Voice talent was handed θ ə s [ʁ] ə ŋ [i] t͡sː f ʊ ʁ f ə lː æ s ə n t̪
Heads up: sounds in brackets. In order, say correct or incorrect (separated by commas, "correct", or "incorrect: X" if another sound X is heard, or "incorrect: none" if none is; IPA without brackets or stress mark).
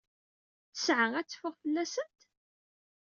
incorrect: ʕ, incorrect: æ